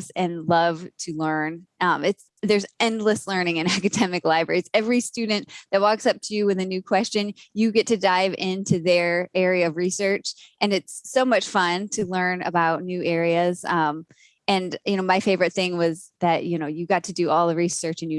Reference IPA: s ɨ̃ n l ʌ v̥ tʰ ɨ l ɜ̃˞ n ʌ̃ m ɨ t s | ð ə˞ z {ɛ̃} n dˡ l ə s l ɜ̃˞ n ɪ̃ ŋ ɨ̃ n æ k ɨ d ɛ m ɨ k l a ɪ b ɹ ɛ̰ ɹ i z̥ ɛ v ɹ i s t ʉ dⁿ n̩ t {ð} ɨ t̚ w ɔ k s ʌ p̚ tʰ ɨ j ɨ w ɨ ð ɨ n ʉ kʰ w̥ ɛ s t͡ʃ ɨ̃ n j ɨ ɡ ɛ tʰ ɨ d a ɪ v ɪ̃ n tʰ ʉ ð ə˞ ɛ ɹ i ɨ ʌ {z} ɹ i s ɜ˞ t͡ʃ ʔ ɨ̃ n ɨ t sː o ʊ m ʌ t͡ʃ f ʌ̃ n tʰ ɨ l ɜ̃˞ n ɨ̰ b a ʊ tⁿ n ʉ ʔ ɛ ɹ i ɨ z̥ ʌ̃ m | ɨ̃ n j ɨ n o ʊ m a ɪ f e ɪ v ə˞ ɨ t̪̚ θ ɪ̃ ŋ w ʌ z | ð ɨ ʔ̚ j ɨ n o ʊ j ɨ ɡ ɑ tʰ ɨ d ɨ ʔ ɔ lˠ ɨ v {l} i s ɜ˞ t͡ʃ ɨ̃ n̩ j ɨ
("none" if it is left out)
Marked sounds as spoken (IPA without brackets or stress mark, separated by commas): ɛ̃, ð, v, ɹ